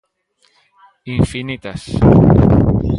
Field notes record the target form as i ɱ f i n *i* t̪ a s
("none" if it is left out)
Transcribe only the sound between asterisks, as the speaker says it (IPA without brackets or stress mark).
i